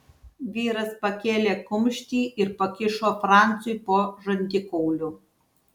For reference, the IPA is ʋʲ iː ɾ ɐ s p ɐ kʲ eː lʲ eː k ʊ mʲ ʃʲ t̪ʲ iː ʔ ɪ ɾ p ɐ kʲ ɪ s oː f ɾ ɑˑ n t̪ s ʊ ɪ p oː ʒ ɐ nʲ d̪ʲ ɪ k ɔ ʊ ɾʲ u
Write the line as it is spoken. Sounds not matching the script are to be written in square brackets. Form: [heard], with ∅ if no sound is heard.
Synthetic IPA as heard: ʋʲ iː ɾ ɐ s p ɐ kʲ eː lʲ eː k ʊ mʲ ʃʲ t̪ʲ iː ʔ ɪ ɾ p ɐ kʲ ɪ [ʃ] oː f ɾ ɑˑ n t̪ s ʊ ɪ p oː ʒ ɐ nʲ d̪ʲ ɪ k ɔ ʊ [lʲ] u